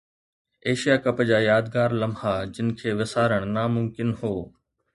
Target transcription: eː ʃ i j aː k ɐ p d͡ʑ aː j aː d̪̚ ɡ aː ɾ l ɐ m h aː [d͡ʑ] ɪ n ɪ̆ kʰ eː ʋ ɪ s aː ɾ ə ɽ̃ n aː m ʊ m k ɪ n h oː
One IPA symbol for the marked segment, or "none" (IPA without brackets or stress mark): d͡ʑ